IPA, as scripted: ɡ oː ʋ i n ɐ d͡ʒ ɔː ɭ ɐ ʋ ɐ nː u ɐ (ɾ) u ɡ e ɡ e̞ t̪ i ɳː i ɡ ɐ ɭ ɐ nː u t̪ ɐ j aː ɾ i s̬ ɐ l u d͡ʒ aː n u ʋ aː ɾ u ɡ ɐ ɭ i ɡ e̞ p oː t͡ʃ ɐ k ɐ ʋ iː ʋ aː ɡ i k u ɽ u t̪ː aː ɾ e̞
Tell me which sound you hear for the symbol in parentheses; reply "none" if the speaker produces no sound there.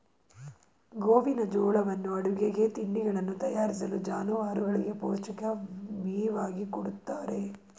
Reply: ɽ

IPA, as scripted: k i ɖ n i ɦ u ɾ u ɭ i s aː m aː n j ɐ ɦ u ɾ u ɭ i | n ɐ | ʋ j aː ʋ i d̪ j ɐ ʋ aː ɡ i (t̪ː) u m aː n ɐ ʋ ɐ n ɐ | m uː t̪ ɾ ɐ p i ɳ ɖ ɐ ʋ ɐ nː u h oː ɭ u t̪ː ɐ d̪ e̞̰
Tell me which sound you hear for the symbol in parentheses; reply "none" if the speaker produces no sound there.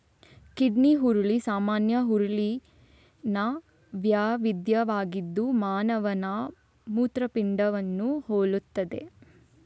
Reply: d̪ː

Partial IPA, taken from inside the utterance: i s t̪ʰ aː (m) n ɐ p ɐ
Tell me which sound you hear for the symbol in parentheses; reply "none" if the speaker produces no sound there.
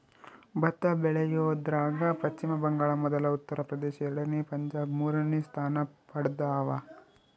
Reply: none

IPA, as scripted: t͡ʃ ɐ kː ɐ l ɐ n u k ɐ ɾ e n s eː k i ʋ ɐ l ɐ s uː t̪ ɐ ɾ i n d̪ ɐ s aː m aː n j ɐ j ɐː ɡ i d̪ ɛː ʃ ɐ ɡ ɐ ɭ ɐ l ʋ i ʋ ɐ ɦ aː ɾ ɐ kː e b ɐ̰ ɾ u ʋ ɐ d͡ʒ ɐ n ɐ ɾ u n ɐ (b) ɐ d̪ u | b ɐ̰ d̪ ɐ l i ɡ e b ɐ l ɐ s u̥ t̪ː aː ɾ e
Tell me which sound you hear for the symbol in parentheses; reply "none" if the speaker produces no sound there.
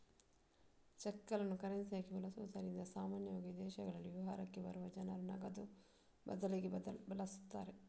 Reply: ɡ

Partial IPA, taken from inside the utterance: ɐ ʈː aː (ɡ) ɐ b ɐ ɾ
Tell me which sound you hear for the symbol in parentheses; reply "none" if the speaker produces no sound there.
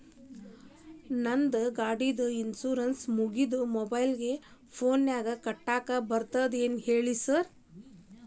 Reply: k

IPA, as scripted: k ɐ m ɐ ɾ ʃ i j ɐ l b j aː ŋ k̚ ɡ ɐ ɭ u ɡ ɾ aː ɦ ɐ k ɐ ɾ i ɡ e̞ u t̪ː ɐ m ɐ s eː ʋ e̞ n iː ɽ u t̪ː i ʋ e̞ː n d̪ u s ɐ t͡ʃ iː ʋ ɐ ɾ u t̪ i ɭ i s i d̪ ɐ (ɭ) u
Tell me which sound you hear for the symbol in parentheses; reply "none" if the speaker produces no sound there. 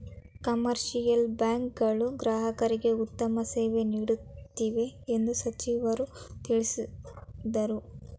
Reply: ɾ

